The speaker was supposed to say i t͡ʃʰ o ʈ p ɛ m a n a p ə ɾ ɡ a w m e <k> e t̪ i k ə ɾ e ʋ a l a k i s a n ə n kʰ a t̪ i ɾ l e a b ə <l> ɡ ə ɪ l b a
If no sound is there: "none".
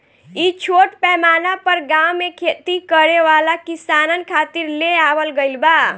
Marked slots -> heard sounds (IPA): kʰ, l

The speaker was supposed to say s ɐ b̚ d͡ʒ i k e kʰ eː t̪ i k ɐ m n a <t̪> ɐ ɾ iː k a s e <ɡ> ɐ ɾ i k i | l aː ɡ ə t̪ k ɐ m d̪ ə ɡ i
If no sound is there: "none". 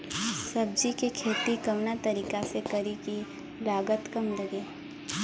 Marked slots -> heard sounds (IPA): t̪, k

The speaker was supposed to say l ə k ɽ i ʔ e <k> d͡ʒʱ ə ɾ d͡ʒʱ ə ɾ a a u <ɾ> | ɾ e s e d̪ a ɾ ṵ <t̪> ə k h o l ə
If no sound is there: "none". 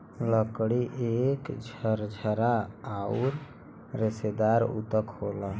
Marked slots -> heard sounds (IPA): k, ɾ, t̪

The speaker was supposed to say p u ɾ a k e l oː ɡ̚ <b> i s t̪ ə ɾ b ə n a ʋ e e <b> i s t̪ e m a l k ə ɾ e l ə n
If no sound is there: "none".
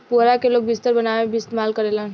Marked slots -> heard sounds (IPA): b, b

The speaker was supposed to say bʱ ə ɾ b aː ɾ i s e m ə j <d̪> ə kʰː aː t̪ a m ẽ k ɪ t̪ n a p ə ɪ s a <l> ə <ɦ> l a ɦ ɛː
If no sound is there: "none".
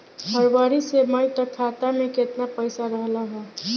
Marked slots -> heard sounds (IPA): t̪, ɾ, ɦ

